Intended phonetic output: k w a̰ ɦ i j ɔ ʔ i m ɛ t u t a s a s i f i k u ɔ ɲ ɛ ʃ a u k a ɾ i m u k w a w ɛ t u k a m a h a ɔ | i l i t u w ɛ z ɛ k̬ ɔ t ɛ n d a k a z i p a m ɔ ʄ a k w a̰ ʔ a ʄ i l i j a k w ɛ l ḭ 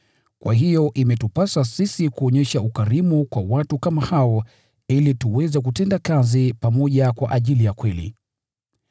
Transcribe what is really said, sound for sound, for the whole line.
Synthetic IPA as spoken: k w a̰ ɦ i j ɔ ʔ i m ɛ t u p a s a s i s i k u ɔ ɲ ɛ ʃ a u k a ɾ i m u k w a w a t u k a m a h a ɔ | i l i t u w ɛ z ɛ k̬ u t ɛ n d a k a z i p a m ɔ ʄ a k w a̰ ʔ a ʄ i l i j a k w ɛ l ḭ